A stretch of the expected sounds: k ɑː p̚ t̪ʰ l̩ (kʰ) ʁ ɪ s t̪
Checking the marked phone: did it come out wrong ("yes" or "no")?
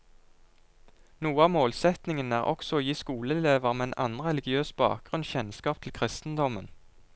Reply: no